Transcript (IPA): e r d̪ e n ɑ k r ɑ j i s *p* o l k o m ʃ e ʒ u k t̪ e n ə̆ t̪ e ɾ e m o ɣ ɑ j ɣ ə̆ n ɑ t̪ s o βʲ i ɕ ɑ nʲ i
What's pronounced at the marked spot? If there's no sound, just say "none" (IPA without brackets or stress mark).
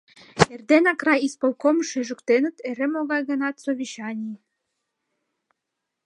p